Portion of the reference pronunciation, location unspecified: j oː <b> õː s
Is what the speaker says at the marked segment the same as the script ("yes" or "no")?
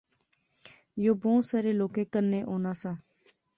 yes